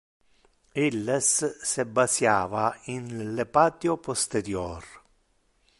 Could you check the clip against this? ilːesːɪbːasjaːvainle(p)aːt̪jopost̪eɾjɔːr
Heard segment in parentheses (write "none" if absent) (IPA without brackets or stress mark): p